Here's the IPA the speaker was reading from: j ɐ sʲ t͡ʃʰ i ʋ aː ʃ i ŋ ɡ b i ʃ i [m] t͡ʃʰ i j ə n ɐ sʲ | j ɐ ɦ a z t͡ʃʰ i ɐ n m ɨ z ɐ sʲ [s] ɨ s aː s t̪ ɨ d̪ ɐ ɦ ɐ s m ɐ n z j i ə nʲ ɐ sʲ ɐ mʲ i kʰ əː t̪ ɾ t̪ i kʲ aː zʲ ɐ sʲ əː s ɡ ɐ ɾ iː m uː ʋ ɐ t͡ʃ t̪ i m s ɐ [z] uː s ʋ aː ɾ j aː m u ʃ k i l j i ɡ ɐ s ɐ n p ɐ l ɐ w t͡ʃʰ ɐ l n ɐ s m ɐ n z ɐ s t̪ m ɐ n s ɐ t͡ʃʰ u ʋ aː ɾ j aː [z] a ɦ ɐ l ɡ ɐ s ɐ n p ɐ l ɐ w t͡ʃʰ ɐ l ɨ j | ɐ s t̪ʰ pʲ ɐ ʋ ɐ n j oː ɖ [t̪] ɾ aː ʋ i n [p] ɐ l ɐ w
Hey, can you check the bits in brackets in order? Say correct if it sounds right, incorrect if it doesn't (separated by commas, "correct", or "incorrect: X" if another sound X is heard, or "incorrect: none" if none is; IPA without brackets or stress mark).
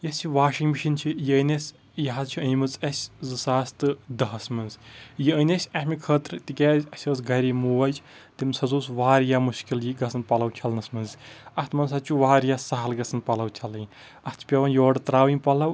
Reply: incorrect: n, incorrect: z, correct, incorrect: s, correct, correct